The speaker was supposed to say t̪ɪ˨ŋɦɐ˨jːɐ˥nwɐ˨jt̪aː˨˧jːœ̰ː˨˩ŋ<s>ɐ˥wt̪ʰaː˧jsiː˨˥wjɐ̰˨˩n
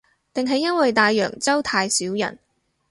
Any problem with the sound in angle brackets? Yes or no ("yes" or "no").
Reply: yes